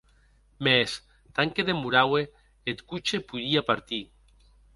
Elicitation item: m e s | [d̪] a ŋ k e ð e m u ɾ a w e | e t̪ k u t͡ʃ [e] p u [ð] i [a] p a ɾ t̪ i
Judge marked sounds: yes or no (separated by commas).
no, yes, yes, yes